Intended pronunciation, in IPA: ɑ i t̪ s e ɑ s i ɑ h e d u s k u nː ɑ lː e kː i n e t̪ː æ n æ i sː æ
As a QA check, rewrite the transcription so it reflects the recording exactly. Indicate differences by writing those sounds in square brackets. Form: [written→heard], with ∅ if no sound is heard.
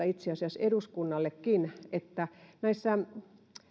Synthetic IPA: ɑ i t̪ s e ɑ s i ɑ [h→s] e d u s k u nː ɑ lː e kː i n e t̪ː æ n æ i sː æ